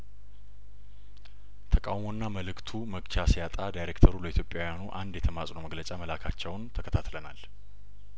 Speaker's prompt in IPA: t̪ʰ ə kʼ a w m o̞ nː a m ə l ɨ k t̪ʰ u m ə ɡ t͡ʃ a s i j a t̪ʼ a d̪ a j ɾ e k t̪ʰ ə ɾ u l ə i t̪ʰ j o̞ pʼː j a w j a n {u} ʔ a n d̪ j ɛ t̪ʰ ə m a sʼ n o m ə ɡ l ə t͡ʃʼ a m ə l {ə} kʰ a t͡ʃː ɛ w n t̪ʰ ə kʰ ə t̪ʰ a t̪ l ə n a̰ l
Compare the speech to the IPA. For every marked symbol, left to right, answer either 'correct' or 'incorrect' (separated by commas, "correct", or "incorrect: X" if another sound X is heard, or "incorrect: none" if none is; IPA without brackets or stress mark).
correct, incorrect: a